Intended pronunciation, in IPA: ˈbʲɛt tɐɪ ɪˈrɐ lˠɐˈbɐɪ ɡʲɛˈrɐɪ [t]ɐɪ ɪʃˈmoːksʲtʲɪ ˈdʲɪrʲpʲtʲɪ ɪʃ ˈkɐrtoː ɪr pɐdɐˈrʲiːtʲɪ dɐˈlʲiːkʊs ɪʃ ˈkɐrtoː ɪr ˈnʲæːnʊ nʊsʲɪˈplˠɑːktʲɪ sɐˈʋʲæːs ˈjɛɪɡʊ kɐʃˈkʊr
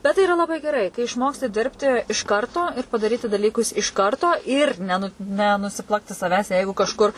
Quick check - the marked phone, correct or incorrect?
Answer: incorrect